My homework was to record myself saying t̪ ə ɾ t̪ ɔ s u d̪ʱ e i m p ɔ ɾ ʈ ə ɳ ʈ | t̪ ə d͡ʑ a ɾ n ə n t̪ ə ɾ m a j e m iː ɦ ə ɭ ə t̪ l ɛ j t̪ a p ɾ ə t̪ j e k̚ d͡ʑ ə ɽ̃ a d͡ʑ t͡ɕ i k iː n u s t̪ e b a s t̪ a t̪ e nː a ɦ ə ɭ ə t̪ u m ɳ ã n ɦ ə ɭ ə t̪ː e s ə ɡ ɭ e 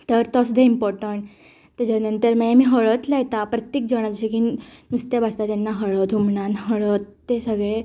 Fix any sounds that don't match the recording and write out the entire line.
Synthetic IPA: t̪ ə ɾ t̪ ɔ s u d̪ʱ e i m p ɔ ɾ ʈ ə ɳ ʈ | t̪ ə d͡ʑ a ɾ n ə n t̪ ə ɾ m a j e m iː ɦ ə ɭ ə t̪ l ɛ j t̪ a p ɾ ə t̪ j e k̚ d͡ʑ ə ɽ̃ a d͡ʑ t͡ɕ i k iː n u s t̪ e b a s t̪ a t̪ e nː a ɦ ə ɭ ə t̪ u m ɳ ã n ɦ ə ɭ ə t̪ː e s ə ɡ ɭ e